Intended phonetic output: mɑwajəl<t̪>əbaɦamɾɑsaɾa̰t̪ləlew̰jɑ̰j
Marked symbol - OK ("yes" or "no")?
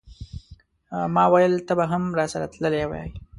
yes